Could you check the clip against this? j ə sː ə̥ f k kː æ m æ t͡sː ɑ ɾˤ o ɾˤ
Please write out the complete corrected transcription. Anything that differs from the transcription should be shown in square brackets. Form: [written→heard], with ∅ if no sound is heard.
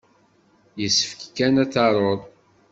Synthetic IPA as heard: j ə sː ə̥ f k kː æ [m→n] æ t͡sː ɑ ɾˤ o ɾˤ